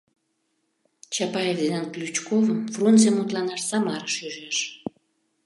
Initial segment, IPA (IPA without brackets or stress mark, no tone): t͡ɕ